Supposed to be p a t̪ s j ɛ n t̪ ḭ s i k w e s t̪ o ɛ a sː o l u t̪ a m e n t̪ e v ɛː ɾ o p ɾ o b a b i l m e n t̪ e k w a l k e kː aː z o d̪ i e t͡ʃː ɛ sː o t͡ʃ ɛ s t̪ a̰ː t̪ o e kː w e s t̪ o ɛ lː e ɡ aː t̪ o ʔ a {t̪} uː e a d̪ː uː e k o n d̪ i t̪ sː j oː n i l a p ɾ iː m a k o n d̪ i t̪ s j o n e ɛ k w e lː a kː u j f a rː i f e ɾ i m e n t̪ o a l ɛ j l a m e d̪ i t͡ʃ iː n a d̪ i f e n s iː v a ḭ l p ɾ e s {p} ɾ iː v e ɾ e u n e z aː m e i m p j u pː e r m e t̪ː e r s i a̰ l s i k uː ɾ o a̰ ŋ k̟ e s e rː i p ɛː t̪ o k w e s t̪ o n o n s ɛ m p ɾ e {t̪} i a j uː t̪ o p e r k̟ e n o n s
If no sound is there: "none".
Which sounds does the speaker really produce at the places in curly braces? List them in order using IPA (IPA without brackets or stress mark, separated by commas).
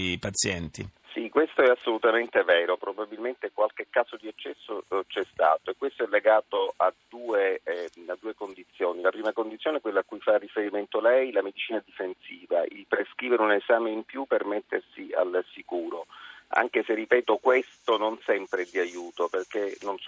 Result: d̪, k, d̪